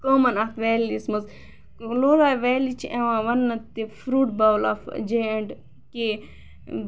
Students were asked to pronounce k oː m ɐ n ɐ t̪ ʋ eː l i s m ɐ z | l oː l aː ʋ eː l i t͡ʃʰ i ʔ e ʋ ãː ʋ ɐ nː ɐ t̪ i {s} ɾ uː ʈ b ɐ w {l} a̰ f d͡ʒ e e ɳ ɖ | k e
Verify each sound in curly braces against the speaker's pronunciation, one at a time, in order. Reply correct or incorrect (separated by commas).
incorrect, correct